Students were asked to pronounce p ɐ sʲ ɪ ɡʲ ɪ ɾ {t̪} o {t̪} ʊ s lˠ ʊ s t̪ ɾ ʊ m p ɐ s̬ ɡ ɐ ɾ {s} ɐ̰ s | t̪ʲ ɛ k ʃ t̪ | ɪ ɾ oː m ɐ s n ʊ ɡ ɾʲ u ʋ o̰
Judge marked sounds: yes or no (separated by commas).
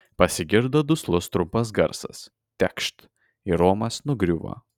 no, no, yes